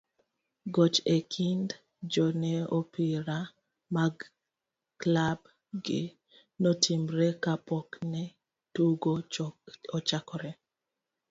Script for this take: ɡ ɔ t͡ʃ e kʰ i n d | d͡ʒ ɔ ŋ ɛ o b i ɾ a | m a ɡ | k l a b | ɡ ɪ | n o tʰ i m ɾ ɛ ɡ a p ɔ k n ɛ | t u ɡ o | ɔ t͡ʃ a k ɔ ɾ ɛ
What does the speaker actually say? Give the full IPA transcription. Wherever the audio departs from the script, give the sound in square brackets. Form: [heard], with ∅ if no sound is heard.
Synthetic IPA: ɡ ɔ t͡ʃ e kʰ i n d | d͡ʒ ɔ [n] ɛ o [p] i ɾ a | m a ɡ | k l a b | ɡ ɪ | n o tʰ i m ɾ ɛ [k] a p ɔ k n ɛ | t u ɡ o | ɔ t͡ʃ a k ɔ ɾ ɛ